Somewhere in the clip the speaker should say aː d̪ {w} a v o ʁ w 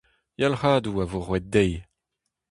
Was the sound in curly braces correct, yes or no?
no